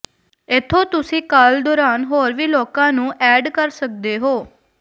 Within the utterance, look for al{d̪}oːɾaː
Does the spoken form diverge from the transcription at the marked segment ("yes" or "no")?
no